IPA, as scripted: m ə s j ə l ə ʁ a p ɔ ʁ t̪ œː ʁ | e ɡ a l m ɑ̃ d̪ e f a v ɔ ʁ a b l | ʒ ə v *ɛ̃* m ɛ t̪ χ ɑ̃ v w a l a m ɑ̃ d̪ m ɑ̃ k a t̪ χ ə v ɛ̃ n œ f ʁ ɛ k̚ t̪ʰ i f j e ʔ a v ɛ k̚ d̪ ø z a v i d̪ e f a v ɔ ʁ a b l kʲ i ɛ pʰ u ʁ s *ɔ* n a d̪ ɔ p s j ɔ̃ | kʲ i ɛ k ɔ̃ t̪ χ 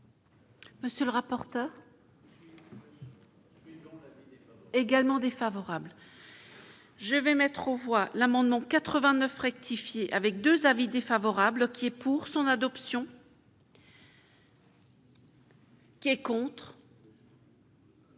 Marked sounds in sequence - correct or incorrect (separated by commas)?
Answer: incorrect, incorrect